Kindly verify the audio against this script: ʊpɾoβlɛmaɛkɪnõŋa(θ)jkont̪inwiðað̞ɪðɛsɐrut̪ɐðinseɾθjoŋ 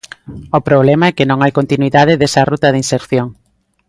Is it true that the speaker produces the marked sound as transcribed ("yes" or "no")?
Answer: no